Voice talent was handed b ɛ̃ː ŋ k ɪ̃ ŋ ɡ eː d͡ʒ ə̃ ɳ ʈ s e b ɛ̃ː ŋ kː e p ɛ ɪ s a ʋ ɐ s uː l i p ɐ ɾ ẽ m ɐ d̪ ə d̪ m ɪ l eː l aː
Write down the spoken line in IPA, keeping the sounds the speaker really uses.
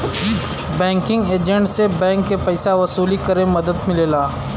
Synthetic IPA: b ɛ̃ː ŋ k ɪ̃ ŋ ɡ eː d͡ʒ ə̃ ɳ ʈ s e b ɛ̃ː ŋ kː e p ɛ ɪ s a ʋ ɐ s uː l i k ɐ ɾ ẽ m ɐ d̪ ə d̪ m ɪ l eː l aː